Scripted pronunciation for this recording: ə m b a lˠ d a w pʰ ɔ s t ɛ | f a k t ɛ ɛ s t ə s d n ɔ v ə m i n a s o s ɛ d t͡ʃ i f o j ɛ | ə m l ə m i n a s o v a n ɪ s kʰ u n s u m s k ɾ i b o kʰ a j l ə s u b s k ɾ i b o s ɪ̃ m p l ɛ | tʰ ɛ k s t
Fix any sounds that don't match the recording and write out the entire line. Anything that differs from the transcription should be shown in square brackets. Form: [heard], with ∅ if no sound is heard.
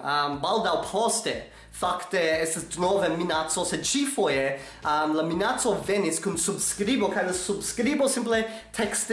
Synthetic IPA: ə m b a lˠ d a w pʰ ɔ s t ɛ | f a k t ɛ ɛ s t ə s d n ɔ v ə m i n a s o s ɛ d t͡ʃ i f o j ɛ | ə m l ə m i n a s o v [ɛ] n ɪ s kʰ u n s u [b] s k ɾ i b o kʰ a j l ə s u b s k ɾ i b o s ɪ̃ m p l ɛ | tʰ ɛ k s t